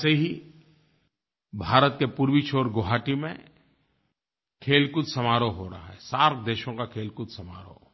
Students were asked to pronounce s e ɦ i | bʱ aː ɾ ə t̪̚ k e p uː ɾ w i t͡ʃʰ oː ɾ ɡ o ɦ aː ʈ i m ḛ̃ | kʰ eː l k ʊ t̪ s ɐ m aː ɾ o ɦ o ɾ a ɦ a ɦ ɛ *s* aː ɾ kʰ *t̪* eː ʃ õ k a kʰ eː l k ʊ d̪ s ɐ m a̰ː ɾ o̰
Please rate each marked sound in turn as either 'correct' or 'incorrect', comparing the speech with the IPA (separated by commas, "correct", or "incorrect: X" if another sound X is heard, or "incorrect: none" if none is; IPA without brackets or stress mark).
correct, incorrect: d̪